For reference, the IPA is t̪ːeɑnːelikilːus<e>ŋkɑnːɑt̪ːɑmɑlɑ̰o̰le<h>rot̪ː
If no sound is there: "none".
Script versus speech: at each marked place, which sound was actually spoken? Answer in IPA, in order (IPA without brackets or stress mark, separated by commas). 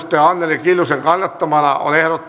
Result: e, h